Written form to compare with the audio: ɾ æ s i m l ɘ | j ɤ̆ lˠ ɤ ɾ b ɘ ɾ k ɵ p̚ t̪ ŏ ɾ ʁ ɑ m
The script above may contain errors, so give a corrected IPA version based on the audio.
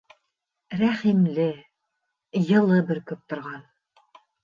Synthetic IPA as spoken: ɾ æ χ i m l ɘ | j ɤ̆ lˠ ɤ b ɘ ɾ k ɵ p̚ t̪ ŏ ɾ ʁ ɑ n